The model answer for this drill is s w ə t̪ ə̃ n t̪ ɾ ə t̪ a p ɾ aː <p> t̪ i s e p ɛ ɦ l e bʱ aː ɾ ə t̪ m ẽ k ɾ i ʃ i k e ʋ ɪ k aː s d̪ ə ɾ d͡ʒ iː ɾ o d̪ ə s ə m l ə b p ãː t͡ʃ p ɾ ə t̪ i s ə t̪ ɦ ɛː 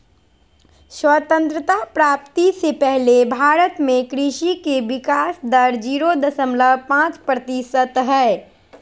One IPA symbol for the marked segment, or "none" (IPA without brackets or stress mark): p